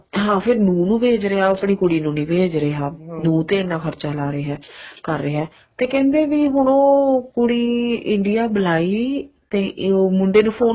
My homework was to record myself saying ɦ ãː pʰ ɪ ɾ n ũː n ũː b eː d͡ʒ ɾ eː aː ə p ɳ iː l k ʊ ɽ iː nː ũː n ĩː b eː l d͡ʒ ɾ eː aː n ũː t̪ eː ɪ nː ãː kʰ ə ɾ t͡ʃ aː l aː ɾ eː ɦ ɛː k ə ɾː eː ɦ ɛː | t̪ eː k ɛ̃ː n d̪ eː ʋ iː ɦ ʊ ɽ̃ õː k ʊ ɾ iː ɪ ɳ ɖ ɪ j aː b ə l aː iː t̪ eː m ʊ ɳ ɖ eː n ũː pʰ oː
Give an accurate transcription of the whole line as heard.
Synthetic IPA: ɦ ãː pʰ ɪ ɾ n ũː n ũː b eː d͡ʒ ɾ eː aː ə p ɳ iː k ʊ ɽ iː n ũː n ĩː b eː d͡ʒ ɾ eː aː n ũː t̪ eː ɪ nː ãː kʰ ə ɾ t͡ʃ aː l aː ɾ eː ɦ ɛː k ə ɾː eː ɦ ɛː | t̪ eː k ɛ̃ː n d̪ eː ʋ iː ɦ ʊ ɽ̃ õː k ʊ ɽ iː ɪ ɳ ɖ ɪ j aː b ə l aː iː t̪ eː m ʊ ɳ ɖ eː n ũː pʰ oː